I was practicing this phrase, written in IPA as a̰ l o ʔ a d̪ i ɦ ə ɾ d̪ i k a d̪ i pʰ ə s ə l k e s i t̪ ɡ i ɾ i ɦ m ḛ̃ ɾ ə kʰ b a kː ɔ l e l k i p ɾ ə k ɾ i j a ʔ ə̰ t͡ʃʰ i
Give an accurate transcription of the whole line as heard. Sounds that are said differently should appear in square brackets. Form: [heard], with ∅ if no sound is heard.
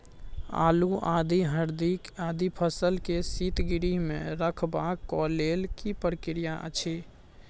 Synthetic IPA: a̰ l [u] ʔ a d̪ i ɦ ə ɾ d̪ i k a d̪ i pʰ ə s ə l k e s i t̪ ɡ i ɾ i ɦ m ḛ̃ ɾ ə kʰ b a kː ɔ l e l k i p ɾ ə k ɾ i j a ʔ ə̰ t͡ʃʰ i